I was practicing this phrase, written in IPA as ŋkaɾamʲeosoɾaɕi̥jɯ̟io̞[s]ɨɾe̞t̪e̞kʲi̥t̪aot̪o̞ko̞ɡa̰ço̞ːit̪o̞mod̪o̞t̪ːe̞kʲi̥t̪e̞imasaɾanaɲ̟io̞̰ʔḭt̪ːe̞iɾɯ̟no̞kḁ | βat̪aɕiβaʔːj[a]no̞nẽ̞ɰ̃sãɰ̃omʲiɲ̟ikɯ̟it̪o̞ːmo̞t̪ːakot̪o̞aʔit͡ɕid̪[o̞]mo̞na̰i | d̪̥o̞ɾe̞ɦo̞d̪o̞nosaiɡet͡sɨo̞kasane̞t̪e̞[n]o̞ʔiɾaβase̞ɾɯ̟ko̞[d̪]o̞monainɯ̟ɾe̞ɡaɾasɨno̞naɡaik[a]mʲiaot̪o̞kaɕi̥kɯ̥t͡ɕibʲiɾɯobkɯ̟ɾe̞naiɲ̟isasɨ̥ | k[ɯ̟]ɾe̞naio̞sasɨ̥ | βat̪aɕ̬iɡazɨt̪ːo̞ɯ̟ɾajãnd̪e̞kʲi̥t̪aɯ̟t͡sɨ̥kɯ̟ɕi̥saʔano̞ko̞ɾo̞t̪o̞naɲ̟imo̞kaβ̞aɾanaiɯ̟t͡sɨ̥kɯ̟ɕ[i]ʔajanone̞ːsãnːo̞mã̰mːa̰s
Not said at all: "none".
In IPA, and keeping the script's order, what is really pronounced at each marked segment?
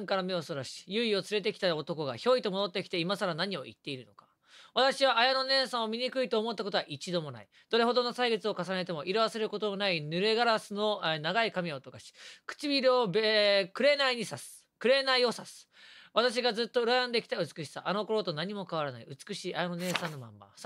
t͡s, a, o̞, m, t̪, a, ɯ̟, iː

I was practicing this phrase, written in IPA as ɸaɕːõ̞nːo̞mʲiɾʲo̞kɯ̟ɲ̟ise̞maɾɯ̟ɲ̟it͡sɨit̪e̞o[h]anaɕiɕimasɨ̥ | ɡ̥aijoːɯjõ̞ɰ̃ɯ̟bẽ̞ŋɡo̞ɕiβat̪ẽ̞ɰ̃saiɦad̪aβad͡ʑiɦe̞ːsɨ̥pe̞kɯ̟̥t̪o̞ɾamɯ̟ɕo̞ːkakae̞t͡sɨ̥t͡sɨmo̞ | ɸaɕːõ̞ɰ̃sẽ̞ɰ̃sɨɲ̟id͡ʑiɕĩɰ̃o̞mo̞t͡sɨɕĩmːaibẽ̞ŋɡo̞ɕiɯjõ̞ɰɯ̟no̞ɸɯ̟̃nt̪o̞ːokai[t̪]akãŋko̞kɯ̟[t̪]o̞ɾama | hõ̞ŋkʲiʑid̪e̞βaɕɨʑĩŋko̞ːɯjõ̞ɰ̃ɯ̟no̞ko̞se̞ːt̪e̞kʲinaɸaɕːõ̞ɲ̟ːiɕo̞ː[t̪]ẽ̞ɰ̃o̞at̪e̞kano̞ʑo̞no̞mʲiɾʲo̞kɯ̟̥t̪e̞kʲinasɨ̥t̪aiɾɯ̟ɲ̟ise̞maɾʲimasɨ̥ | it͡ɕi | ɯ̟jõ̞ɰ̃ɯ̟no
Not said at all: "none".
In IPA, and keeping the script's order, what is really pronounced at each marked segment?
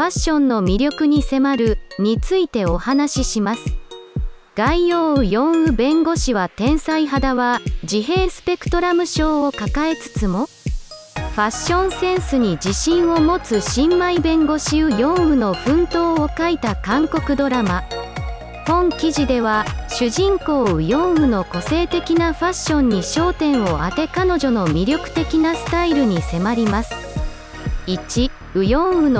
h, t̪, d̪, t̪

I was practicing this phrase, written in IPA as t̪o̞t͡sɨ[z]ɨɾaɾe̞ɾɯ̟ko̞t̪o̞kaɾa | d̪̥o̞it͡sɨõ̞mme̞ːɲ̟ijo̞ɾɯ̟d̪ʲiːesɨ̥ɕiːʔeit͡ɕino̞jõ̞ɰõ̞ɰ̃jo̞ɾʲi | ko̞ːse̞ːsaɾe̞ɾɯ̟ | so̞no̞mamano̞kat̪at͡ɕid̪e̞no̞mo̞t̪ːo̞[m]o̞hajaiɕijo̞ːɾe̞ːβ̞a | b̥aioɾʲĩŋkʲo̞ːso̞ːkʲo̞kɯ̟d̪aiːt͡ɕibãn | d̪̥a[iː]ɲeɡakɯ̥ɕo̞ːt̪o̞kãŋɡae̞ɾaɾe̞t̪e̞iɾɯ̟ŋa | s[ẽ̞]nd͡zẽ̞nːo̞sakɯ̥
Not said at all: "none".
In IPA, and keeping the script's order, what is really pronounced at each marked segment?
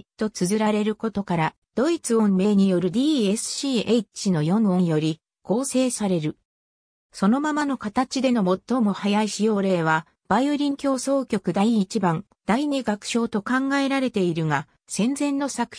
z, m, i, ẽ̞

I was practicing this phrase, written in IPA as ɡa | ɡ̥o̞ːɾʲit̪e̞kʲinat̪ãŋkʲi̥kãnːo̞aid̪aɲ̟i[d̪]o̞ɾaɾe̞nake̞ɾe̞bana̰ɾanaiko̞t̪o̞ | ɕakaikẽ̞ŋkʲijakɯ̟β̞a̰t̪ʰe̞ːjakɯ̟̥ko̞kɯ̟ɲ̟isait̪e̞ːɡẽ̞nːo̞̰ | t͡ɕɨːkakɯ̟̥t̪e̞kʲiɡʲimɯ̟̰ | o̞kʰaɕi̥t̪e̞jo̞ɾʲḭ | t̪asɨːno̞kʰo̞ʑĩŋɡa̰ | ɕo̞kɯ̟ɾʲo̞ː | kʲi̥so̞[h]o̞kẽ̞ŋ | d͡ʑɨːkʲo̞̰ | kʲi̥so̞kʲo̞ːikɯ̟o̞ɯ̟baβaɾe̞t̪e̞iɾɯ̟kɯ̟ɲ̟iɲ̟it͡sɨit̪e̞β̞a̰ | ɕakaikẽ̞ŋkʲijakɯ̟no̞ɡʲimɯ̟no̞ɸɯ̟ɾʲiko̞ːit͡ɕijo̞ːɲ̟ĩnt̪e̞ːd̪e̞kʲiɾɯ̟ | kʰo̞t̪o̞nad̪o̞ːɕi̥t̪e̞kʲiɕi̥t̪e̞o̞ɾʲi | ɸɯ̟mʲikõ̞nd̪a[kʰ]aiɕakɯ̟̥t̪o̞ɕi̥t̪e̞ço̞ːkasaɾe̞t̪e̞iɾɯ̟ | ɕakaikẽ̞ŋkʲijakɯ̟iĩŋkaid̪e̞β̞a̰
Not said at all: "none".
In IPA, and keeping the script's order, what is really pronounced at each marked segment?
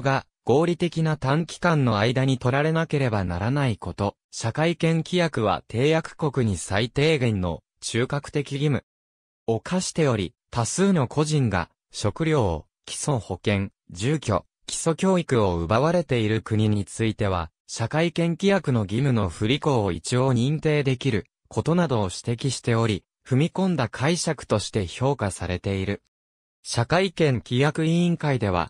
t̪, h, kʰ

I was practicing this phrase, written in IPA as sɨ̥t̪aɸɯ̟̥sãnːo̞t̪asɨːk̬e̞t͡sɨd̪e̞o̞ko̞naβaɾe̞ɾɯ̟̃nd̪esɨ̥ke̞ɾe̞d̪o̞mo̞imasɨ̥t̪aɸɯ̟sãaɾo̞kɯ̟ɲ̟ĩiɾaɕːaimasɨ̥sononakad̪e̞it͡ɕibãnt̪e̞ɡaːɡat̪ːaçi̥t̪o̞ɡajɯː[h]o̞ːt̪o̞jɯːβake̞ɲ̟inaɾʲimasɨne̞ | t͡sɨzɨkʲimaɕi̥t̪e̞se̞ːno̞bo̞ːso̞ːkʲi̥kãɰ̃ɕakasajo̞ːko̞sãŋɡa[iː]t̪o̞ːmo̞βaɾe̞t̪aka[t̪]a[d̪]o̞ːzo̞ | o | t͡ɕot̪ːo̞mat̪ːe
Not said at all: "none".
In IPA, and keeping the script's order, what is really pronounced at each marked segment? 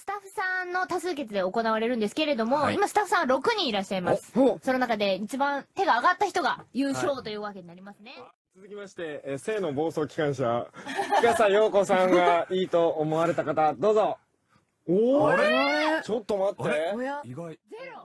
ɕ, iː, t̪, d̪

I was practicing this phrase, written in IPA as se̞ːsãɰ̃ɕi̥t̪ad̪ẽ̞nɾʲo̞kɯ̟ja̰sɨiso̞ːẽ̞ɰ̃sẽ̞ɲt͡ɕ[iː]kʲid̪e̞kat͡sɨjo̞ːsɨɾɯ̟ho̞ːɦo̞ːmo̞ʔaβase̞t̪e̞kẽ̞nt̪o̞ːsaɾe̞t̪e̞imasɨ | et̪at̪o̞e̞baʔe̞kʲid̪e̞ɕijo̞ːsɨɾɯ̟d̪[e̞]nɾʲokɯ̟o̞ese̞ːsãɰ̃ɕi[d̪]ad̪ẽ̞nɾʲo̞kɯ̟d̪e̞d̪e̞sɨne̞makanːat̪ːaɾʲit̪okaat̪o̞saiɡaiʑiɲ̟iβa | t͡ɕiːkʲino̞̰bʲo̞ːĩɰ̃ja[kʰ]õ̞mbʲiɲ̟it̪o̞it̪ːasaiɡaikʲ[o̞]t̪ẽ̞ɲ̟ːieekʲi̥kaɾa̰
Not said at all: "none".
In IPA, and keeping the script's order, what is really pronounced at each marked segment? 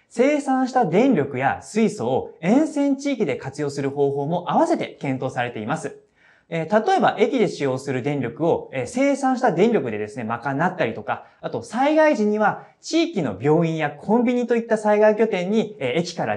iː, ẽ̞, t̪, kʰ, o̞

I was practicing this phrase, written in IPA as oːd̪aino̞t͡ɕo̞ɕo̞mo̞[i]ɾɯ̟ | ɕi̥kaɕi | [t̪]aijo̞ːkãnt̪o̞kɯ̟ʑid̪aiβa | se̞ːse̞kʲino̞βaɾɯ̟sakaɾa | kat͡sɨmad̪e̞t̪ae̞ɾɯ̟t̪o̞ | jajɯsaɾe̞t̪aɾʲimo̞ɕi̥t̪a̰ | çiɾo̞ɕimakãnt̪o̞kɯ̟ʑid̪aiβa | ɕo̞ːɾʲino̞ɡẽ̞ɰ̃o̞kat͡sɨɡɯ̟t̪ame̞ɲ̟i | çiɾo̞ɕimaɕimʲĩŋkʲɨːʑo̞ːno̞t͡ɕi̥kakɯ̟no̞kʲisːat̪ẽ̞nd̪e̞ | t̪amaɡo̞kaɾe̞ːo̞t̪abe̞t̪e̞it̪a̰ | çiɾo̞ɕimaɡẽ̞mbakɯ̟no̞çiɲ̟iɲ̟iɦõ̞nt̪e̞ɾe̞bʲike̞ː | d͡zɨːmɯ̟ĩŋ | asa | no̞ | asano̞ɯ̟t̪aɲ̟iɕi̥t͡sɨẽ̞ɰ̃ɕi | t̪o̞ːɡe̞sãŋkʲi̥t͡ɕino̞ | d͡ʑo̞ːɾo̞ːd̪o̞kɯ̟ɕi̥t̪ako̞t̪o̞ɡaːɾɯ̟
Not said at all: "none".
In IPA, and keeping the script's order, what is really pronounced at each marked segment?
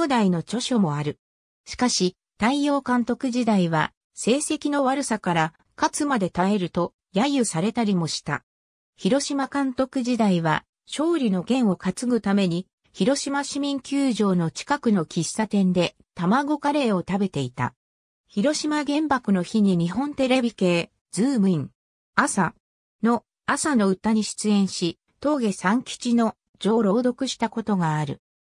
a, t̪

